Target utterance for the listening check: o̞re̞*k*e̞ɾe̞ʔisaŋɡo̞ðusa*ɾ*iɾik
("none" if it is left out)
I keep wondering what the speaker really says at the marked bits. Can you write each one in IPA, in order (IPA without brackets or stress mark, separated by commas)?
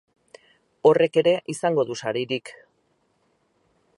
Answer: k, ɾ